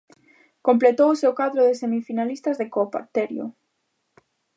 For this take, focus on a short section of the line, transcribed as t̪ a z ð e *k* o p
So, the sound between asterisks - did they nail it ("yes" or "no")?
yes